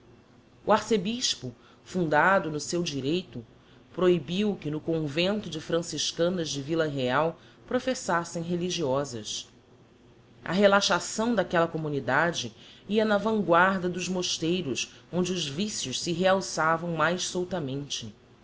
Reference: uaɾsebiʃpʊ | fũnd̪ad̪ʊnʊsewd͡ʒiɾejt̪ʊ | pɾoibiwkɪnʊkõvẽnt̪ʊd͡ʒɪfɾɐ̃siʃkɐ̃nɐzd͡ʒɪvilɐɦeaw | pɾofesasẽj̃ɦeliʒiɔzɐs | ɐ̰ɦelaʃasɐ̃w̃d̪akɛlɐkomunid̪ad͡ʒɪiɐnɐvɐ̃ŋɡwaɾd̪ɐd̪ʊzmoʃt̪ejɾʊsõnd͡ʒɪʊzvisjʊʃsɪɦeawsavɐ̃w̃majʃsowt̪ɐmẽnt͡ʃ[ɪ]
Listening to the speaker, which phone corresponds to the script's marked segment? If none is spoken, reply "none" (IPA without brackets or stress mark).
ɪ